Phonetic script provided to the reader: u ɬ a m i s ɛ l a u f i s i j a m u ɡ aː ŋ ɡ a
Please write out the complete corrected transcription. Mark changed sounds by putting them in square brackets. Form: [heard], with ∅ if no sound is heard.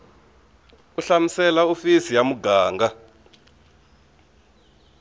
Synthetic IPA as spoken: u ɬ a m i s ɛ l a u f i s i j a m u ɡ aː ŋ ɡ a